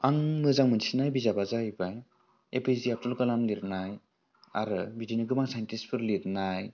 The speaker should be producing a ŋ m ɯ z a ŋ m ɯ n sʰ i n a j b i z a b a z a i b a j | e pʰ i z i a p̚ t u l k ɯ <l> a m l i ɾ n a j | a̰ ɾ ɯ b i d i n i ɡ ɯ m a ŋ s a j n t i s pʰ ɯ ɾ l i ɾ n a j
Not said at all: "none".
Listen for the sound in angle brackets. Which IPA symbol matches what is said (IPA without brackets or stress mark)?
l